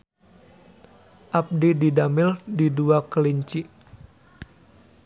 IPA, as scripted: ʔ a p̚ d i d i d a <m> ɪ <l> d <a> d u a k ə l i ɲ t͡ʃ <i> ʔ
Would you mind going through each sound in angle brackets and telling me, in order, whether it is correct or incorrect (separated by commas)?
correct, correct, incorrect, correct